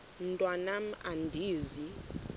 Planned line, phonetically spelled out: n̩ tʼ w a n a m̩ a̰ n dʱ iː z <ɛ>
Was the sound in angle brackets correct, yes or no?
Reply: no